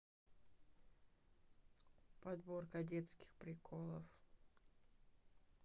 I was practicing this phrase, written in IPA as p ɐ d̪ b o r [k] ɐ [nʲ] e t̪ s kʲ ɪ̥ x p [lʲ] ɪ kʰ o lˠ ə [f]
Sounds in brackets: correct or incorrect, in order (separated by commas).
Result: correct, incorrect, incorrect, correct